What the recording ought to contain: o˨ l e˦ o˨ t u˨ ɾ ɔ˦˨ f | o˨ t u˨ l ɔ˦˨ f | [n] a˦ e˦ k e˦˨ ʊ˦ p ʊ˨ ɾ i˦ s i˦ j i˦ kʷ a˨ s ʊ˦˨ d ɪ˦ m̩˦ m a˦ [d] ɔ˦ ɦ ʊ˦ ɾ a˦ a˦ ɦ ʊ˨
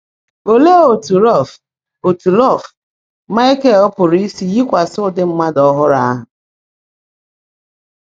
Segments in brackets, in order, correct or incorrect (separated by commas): incorrect, correct